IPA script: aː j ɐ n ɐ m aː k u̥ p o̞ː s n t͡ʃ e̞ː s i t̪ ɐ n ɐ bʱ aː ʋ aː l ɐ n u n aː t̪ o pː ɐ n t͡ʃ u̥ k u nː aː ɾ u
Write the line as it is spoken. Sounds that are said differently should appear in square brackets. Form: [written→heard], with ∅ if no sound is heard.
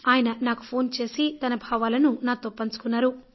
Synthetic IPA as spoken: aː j ɐ n ɐ [m→n] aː k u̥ [p→pʰ] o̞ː [s→∅] n t͡ʃ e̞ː s i t̪ ɐ n ɐ bʱ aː ʋ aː l ɐ n u n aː t̪ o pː ɐ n t͡ʃ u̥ k u nː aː ɾ u